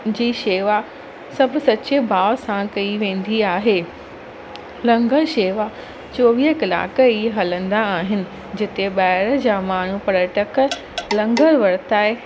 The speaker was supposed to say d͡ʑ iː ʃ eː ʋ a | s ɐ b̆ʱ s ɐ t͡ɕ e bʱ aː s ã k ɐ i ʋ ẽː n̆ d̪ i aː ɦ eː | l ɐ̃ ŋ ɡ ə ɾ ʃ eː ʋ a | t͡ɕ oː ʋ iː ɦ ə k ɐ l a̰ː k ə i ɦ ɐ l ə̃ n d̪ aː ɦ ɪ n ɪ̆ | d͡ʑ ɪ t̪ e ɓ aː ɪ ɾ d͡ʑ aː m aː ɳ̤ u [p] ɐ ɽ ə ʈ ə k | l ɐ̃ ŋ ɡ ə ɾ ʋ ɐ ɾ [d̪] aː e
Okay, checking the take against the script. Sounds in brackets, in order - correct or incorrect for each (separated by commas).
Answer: correct, incorrect